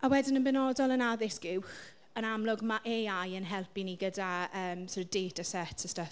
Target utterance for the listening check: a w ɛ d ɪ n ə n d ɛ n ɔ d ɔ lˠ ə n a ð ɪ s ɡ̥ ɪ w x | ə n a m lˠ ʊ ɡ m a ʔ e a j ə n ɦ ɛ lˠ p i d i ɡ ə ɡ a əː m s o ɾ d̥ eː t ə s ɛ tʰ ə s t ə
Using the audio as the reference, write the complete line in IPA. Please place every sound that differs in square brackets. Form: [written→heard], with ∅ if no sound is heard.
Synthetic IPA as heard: a w ɛ d ɪ n ə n [d→b] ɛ n ɔ d ɔ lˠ ə n a ð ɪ s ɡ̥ ɪ w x | ə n a m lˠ ʊ ɡ m a ʔ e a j ə n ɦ ɛ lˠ p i [d→n] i ɡ ə [ɡ→d] a əː m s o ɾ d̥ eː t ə s ɛ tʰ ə s t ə